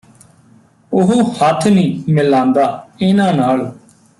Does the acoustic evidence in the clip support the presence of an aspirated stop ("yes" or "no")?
yes